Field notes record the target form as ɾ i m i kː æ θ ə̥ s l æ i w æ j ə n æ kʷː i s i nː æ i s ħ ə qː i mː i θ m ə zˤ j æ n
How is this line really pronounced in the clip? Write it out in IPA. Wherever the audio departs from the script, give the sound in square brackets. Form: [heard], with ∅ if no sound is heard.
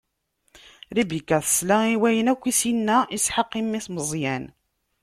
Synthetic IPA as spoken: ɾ i [b] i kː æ θ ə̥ s l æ i w æ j ə n æ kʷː i s i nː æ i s ħ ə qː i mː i θ m ə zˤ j æ n